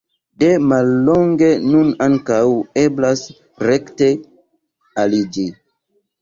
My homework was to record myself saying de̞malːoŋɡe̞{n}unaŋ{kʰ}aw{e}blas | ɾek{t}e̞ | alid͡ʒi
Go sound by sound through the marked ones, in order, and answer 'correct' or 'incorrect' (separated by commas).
correct, incorrect, correct, correct